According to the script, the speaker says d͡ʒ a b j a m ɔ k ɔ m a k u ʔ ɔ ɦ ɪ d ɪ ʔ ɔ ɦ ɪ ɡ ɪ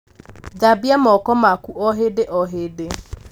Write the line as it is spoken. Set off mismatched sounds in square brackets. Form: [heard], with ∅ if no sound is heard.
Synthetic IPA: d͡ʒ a b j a m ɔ k ɔ m a k u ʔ ɔ ɦ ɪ d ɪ ʔ ɔ ɦ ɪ [d] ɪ